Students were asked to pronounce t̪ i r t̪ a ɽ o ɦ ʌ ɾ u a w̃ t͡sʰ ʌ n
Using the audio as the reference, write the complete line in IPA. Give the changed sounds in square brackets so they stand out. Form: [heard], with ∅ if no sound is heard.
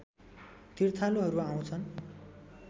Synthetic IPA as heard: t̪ i r [t̪ʰ] a [l] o ɦ ʌ ɾ u a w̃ t͡sʰ ʌ n